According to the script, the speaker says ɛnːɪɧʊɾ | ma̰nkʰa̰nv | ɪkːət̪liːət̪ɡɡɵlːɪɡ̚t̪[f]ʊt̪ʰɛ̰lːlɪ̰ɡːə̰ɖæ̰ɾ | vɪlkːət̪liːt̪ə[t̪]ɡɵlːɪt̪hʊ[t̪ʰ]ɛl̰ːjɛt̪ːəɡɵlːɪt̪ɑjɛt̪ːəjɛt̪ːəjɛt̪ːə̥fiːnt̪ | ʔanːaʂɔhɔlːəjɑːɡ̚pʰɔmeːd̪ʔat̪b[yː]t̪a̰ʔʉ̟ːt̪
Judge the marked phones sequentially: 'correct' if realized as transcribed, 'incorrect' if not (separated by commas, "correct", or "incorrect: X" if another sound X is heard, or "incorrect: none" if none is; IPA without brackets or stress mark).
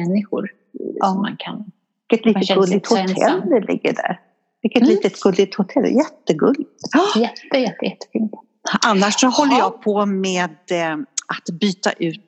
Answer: incorrect: h, correct, correct, correct